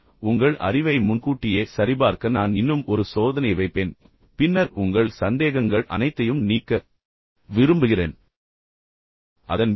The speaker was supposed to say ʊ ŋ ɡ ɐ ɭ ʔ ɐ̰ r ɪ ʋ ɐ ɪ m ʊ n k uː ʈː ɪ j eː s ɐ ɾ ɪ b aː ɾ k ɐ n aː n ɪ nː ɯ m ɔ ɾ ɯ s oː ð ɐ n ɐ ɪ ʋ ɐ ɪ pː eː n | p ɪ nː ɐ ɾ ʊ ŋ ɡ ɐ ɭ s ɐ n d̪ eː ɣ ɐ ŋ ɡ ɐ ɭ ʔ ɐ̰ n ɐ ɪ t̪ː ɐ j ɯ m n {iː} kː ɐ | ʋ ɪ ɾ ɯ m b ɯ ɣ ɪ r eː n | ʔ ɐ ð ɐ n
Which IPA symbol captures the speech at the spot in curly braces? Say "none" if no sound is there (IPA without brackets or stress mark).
iː